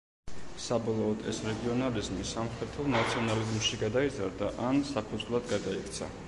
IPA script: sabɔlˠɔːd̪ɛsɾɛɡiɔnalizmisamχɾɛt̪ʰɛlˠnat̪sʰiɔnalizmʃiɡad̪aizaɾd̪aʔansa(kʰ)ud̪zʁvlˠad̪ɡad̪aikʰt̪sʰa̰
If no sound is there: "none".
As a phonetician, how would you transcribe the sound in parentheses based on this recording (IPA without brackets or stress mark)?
pʰ